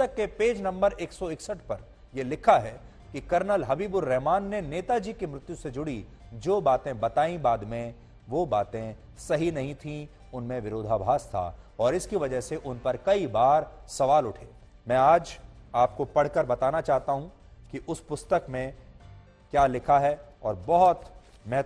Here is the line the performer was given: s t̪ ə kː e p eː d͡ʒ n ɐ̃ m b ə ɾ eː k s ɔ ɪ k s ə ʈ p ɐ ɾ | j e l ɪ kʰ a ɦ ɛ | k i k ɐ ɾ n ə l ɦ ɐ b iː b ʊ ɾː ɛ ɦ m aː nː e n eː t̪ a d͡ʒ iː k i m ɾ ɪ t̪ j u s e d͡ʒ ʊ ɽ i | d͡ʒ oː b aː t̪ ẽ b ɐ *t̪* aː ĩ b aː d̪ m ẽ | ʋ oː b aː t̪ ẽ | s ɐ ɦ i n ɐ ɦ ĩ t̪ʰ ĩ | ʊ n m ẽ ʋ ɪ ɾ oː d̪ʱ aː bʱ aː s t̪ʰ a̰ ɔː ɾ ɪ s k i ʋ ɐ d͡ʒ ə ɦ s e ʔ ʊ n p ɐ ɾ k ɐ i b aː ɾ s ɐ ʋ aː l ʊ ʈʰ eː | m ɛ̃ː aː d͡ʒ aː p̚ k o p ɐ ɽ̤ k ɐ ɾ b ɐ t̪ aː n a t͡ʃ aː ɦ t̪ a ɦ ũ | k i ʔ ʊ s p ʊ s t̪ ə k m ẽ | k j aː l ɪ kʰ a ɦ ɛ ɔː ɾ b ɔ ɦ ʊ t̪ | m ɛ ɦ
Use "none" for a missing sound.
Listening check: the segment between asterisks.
t̪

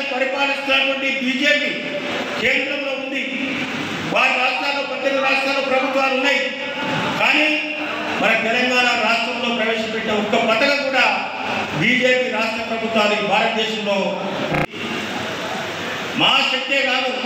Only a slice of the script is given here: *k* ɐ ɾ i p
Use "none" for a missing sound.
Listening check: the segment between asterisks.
p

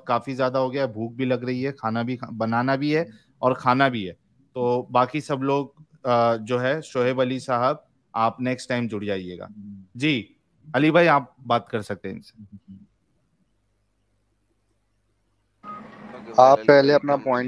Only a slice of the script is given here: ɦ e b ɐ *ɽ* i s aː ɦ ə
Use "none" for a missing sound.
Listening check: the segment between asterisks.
l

